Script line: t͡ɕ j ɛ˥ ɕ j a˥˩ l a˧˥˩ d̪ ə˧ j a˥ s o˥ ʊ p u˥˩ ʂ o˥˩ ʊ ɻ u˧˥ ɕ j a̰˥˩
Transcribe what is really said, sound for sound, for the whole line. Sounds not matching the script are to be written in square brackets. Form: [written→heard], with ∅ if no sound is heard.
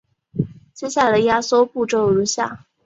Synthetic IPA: t͡ɕ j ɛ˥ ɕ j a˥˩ l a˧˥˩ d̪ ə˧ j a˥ s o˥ ʊ p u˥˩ [ʂ→ʈ͡ʂ] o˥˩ ʊ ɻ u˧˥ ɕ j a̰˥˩